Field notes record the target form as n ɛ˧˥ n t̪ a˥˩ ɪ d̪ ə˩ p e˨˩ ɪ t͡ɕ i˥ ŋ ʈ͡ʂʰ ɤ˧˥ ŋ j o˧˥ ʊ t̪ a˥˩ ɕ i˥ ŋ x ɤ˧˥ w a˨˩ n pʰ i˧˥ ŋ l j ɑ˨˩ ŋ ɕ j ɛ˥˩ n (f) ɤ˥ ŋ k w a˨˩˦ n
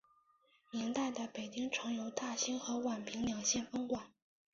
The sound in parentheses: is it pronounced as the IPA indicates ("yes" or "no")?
yes